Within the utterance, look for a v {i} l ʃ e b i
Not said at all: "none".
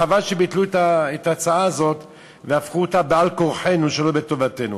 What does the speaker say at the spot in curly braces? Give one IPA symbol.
a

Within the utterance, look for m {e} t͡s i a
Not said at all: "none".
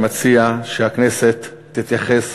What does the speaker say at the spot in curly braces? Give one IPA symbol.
a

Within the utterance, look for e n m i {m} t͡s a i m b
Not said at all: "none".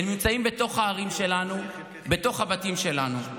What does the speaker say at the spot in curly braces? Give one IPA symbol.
m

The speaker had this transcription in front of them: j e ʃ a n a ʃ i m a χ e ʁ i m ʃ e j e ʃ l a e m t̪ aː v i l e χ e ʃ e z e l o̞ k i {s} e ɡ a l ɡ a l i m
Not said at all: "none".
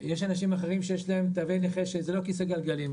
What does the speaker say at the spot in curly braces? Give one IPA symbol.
s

